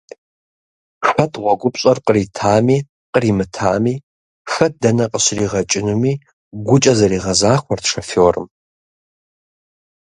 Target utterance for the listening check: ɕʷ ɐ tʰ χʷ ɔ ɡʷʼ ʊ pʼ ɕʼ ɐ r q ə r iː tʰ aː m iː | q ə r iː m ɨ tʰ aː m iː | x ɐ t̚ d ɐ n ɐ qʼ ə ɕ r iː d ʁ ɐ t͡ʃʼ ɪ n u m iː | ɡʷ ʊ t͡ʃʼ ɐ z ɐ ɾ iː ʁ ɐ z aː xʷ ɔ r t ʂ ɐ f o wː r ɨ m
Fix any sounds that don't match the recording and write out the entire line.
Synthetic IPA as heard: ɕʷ ɐ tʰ ʁʷ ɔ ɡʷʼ ʊ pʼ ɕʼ ɐ r q ə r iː tʰ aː m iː | q ə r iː m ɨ tʰ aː m iː | x ɐ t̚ d ɐ n ɐ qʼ ə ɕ r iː ʁ ɐ t͡ʃʼ ɪ n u m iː | ɡʷ ʊ t͡ʃʼ ɐ z ɐ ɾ iː ʁ ɐ z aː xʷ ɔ r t ʂ ɐ f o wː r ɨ m